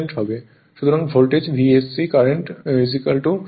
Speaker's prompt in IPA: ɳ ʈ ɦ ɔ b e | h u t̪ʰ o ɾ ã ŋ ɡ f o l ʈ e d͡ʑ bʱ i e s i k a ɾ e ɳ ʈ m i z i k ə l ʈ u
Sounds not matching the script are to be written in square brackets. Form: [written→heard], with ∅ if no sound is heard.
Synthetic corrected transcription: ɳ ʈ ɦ ɔ b e | [h→ʃ] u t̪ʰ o ɾ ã ŋ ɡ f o l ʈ e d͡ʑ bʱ i e s i k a ɾ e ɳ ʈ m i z i k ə l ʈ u